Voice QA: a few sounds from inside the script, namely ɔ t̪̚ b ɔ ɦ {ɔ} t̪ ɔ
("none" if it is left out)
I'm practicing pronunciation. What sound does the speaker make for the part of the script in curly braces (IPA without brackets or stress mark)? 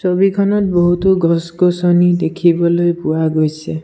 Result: u